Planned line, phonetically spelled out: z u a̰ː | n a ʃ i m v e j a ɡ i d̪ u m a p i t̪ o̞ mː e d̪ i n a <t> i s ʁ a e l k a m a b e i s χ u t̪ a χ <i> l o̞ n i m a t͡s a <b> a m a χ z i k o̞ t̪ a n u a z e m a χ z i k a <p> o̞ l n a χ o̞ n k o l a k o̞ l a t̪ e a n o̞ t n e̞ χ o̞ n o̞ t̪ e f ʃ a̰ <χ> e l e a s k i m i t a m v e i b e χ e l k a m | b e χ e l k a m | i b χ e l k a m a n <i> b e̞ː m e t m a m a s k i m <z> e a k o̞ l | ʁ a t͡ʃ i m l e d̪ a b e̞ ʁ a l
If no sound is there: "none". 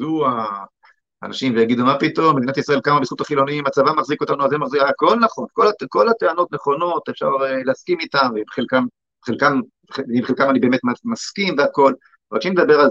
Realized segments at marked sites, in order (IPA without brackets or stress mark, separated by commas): t, i, v, k, ʁ, i, v